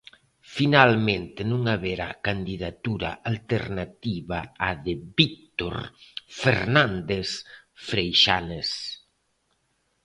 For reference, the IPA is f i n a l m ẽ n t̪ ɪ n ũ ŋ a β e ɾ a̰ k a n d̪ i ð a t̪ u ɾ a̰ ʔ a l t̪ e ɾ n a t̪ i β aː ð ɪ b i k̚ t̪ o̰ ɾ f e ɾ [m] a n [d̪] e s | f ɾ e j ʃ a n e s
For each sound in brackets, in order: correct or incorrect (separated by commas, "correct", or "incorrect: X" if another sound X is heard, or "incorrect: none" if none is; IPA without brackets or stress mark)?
incorrect: n, correct